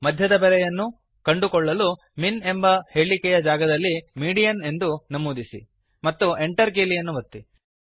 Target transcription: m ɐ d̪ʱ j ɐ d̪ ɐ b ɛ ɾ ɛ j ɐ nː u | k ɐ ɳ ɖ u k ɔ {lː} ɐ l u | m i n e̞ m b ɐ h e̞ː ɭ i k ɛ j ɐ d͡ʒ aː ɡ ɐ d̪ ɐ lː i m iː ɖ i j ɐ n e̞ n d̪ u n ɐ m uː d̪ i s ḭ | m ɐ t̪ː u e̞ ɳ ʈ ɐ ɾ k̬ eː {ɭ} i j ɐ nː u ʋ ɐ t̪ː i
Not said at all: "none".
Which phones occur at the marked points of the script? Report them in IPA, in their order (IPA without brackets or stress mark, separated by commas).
ɭː, l